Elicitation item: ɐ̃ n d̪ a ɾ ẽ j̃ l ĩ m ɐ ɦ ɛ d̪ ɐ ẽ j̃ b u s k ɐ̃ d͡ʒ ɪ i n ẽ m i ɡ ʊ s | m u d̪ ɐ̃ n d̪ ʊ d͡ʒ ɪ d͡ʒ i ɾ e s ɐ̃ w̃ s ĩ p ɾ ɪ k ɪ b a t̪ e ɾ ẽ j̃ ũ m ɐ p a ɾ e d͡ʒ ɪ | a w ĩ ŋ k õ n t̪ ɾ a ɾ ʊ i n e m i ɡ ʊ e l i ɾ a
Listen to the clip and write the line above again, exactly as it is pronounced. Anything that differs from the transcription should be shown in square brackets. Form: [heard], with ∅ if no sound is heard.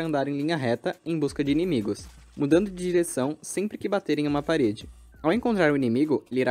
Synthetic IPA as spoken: ɐ̃ n d̪ a ɾ ẽ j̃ l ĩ [ɲ] ɐ ɦ ɛ [t̪] ɐ ẽ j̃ b u s k [ɐ] d͡ʒ ɪ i n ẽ m i ɡ ʊ s | m u d̪ ɐ̃ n d̪ ʊ d͡ʒ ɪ d͡ʒ i ɾ e s ɐ̃ w̃ s [ẽ] p ɾ ɪ k ɪ b a t̪ e ɾ ẽ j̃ ũ m ɐ p a ɾ e d͡ʒ ɪ | a w [ẽ] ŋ k õ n t̪ ɾ a ɾ ʊ i n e m i ɡ ʊ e l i ɾ a